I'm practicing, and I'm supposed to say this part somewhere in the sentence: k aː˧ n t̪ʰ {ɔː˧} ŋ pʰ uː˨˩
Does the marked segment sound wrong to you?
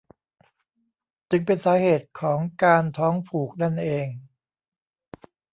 yes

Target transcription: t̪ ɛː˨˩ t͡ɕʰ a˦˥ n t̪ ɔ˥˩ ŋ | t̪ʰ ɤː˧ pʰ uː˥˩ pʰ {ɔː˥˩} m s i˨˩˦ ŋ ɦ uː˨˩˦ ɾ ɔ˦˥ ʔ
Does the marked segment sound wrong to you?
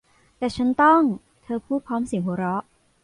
yes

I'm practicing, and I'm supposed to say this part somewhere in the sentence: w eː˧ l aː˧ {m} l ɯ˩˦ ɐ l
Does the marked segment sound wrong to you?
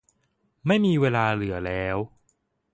yes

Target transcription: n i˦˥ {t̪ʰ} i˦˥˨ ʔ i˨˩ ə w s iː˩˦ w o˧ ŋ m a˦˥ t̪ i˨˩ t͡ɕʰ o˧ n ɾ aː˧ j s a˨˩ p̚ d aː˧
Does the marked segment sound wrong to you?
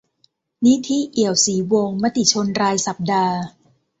no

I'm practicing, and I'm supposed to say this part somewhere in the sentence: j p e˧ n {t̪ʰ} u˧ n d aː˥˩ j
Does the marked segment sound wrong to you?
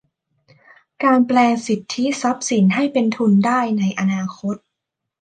no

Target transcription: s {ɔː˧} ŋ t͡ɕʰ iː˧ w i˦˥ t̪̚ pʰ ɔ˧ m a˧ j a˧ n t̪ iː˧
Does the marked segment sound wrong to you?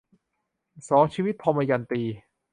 yes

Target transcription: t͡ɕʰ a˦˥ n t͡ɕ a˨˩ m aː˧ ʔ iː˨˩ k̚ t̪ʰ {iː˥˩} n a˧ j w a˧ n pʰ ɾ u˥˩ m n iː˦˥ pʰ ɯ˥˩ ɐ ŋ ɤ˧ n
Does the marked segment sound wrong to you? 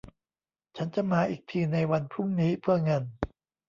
yes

